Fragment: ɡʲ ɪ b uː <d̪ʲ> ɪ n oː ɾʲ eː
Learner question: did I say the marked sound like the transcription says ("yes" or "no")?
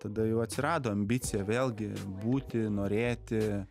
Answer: no